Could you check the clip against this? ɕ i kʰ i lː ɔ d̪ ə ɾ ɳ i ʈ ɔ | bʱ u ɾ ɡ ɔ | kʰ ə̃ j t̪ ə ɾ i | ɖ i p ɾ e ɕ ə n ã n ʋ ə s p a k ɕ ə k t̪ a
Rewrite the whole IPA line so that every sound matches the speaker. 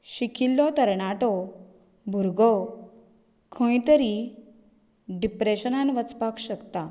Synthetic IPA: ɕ i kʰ i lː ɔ t̪ ə ɾ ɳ a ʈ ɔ | bʱ u ɾ ɡ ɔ | kʰ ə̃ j t̪ ə ɾ i | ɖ i p ɾ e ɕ ə n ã n ʋ ə t͡s p a k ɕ ə k t̪ a